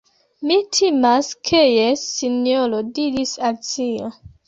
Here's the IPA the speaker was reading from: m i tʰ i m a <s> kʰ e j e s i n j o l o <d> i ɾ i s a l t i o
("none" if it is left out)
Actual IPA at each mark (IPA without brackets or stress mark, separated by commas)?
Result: s, d